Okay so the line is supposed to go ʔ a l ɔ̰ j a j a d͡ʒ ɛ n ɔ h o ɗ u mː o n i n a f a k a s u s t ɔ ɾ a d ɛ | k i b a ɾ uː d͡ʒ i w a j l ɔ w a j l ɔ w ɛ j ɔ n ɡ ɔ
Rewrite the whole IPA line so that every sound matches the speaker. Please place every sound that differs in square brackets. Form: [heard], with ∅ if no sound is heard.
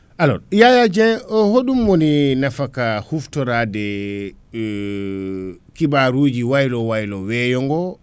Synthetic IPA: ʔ a l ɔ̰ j a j a d͡ʒ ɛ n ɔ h o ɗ u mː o n i n a f a k a [h] u [f] t ɔ ɾ a d ɛ | k i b a ɾ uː d͡ʒ i w a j l ɔ w a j l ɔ w ɛ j ɔ [ŋ] ɡ ɔ